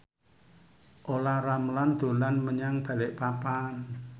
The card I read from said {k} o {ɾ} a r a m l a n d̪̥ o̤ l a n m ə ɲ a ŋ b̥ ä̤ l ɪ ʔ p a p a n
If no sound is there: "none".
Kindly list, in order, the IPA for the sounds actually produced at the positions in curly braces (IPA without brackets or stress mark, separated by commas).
ʔ, l